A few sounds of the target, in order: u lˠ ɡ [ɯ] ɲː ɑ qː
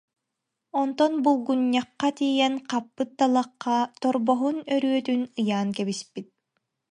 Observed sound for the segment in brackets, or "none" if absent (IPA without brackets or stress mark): u